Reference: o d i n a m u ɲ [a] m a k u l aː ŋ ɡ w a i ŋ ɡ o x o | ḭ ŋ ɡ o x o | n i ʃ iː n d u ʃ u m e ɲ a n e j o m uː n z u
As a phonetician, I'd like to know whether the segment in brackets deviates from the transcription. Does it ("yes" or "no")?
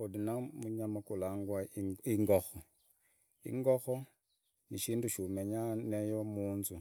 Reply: no